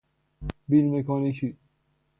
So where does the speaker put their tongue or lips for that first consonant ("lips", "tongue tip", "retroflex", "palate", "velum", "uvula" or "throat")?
lips